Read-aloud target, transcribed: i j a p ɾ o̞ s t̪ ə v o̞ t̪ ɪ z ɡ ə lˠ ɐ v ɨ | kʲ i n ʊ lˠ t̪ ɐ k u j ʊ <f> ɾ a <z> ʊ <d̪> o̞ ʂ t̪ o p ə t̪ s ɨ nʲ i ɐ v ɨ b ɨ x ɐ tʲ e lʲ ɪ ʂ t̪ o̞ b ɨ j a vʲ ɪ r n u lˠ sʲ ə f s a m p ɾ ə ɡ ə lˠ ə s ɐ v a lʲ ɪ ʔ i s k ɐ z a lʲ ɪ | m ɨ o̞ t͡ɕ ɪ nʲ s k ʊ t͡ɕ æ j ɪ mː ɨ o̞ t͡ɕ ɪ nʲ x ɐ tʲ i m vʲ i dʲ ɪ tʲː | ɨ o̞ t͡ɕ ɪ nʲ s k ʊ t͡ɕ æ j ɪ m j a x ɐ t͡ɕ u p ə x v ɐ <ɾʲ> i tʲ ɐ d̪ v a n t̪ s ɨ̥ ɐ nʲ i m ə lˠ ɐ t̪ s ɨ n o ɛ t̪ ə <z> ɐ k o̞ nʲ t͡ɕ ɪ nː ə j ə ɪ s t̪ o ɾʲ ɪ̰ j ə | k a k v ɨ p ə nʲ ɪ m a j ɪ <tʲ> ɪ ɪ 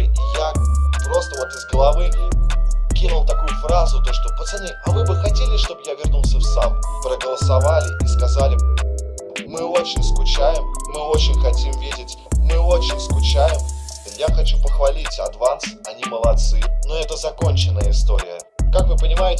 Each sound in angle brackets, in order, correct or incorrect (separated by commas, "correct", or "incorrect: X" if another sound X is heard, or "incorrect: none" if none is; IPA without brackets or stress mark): correct, correct, incorrect: t̪, incorrect: lʲ, correct, correct